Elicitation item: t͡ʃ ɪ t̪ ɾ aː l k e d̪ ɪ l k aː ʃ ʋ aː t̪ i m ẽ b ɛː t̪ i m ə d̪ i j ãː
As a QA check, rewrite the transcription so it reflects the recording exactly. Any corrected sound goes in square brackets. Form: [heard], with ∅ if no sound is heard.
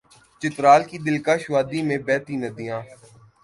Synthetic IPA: t͡ʃ ɪ t̪ ɾ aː l k [i] d̪ ɪ l k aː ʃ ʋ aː [d̪] i m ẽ b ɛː t̪ i [n] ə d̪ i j ãː